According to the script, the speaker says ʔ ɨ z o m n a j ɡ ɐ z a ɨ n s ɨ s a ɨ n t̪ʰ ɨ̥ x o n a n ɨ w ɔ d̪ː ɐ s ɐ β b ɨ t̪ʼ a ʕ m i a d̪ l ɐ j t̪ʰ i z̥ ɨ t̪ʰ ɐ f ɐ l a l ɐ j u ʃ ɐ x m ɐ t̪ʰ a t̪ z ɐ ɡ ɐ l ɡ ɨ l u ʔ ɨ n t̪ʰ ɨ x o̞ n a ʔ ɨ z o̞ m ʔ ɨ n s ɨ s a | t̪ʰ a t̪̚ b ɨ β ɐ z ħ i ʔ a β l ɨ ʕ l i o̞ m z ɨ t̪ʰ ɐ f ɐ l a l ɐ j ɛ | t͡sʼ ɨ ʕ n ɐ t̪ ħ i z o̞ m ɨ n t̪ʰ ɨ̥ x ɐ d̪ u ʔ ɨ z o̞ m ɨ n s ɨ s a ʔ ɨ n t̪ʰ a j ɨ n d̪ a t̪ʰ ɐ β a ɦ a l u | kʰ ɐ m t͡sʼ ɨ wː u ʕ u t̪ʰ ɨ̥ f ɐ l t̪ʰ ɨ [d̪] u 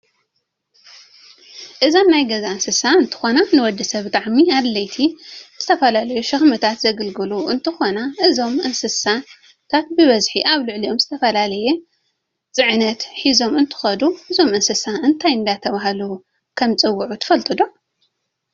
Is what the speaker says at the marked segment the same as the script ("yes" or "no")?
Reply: yes